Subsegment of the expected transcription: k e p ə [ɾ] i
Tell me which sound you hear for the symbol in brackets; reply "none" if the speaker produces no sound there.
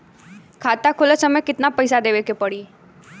ɽ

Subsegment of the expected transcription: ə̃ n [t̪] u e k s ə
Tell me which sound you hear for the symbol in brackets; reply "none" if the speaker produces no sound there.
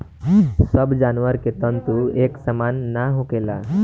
t̪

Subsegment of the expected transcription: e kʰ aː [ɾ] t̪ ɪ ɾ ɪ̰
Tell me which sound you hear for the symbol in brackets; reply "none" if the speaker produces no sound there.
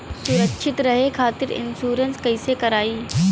none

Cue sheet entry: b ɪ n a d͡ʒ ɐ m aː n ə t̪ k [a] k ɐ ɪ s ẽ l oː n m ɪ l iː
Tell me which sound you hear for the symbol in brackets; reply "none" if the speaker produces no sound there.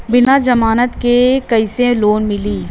e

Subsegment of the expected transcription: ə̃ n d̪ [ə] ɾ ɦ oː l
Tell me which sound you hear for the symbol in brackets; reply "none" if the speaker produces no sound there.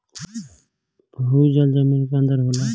ə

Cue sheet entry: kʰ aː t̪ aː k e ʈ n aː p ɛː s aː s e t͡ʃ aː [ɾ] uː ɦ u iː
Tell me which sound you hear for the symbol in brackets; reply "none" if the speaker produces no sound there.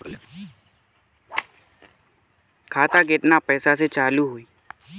l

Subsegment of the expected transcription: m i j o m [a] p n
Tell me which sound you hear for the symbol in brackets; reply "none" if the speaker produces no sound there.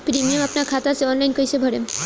a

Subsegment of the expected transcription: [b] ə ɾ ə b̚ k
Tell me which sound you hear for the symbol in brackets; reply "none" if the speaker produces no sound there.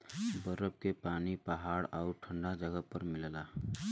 b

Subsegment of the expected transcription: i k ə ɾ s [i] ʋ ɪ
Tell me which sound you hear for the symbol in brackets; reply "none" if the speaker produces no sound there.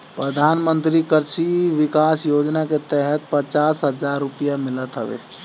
i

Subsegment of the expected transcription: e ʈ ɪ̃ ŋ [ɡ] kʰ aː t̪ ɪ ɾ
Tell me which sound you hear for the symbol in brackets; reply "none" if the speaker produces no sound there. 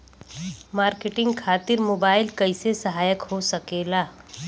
ɡ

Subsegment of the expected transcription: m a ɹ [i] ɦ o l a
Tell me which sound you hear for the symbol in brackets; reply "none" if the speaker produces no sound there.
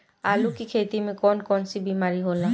i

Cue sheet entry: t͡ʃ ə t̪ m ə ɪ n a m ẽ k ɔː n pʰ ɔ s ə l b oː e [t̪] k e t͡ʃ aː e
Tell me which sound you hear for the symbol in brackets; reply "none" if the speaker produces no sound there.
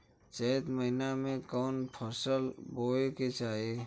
none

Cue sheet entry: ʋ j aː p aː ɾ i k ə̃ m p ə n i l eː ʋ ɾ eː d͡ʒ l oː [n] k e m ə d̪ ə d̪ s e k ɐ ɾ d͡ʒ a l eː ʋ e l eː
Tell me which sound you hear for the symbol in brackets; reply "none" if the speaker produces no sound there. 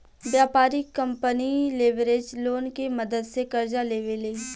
n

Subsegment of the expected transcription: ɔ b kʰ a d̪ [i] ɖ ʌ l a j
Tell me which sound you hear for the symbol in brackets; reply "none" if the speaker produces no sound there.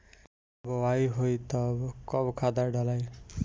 a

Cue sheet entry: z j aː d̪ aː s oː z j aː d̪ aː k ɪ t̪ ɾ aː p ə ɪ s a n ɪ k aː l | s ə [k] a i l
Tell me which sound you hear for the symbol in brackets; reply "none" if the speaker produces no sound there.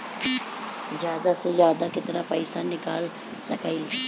k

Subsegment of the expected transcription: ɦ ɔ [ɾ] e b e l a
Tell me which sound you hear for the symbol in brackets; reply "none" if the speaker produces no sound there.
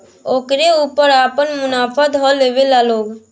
l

